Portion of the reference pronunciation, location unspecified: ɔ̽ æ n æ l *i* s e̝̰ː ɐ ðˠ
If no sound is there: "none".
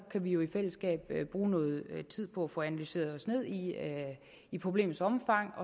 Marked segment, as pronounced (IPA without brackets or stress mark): y